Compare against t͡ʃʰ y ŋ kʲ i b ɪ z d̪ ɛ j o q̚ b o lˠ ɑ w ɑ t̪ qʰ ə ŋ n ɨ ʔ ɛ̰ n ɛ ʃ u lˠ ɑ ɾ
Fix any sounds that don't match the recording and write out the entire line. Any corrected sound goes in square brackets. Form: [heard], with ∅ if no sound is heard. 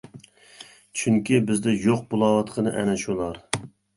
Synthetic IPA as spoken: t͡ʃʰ y ŋ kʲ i b ɪ z d̪ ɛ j o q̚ b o lˠ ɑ w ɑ t̪ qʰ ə [∅] n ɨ ʔ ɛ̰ n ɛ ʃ u lˠ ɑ ɾ